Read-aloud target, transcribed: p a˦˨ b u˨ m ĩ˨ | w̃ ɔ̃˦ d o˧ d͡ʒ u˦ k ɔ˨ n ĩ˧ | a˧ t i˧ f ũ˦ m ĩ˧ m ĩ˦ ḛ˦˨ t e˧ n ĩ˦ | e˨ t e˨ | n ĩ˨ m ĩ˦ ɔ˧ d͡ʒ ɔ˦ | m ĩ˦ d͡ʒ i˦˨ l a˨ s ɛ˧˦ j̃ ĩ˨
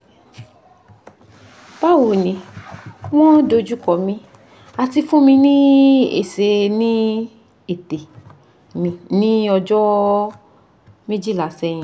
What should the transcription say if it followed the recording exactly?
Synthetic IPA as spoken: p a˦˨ w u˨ n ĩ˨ | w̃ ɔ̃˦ d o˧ d͡ʒ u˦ k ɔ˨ m ĩ˧ | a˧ t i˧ f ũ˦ m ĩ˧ n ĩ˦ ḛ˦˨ s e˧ n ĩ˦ | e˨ t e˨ | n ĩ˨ n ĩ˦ ɔ˧ d͡ʒ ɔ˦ | m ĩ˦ d͡ʒ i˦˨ l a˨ s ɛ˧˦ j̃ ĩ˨

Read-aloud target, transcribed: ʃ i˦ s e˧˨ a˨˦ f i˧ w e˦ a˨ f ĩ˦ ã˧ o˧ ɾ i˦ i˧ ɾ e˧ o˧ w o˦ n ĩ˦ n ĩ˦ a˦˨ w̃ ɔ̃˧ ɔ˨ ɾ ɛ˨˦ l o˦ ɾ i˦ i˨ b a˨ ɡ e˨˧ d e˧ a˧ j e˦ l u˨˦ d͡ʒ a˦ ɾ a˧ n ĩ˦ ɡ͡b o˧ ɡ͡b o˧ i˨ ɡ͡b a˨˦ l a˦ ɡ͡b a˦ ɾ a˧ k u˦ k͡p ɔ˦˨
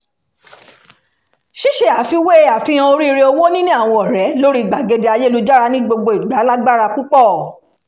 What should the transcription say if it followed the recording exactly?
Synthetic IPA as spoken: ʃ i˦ ʃ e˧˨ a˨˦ f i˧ w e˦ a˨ f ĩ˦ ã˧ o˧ ɾ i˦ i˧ ɾ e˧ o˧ w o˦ n ĩ˦ n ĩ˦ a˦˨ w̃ ɔ̃˧ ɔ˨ ɾ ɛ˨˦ l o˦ ɾ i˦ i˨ ɡ͡b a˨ ɡ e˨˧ d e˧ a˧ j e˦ l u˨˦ d͡ʒ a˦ ɾ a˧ n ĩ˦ ɡ͡b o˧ ɡ͡b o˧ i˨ ɡ͡b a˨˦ l a˦ ɡ͡b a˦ ɾ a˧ k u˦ k͡p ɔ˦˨

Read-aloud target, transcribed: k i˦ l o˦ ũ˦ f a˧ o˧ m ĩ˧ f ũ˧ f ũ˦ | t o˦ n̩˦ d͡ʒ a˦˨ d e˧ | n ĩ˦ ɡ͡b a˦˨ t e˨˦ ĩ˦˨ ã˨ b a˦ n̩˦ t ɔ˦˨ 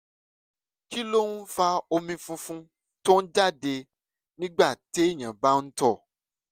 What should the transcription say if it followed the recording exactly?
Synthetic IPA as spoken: k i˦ l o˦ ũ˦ f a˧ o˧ m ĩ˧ f ũ˧ f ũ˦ | t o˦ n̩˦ d͡ʒ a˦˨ d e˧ | n ĩ˦ ɡ͡b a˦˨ t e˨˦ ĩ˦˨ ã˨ b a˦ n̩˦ t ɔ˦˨

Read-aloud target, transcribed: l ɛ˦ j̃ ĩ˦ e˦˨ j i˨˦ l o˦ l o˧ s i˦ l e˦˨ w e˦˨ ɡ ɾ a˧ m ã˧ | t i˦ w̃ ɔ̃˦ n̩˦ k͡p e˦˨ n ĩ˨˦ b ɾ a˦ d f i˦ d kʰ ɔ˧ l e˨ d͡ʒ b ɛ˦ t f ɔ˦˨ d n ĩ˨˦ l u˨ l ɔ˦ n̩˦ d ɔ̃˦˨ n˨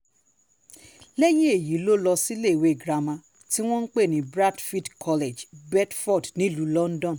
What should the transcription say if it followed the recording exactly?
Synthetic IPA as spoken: l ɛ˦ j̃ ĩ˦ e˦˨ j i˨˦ l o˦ l ɔ˧ s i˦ l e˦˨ w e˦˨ ɡ ɾ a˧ m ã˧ | t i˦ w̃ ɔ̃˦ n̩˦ k͡p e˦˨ n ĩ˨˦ b ɾ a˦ d f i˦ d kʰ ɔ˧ l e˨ d͡ʒ b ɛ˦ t f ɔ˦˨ d n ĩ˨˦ l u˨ l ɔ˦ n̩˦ d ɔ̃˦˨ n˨

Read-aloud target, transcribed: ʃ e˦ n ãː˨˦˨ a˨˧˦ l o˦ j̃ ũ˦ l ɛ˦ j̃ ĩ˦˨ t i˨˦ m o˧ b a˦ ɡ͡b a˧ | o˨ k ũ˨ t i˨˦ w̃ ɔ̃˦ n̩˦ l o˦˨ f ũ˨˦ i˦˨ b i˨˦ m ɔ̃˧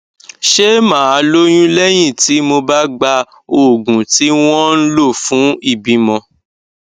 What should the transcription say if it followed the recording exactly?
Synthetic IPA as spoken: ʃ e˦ m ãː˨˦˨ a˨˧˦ l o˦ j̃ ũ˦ l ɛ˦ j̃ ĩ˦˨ t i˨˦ m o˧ b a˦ ɡ͡b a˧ | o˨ ɡ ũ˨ t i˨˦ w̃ ɔ̃˦ n̩˦ l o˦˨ f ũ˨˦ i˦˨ b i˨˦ m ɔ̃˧

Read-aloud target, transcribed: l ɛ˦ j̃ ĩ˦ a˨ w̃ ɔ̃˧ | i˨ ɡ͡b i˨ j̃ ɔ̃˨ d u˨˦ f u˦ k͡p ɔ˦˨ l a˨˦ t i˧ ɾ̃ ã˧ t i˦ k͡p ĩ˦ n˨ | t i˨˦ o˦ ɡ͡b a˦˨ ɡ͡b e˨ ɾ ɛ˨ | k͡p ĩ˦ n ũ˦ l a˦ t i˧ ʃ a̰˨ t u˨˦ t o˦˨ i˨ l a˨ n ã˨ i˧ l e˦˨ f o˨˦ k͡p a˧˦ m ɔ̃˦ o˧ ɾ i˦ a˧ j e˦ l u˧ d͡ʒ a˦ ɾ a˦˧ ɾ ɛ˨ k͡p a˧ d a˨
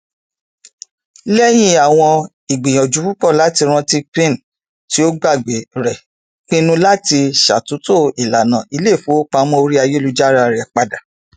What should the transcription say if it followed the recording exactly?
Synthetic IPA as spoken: l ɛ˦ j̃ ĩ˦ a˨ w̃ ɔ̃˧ | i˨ ɡ͡b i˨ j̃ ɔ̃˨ d͡ʒ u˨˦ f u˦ k͡p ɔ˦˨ l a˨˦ t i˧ ɾ̃ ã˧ t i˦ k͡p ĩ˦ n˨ | t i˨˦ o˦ ɡ͡b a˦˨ ɡ͡b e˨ ɾ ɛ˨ | k͡p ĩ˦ n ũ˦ l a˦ t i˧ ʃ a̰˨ t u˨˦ t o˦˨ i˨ l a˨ n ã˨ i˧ l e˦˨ f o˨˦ k͡p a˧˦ m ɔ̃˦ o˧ ɾ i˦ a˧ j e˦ l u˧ d͡ʒ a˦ ɾ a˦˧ ɾ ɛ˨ k͡p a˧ d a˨

